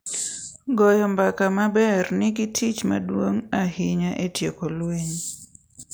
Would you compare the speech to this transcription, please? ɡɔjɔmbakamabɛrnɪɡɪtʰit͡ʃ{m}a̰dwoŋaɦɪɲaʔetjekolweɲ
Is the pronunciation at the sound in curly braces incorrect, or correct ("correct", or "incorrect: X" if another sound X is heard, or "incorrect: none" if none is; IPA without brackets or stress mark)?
correct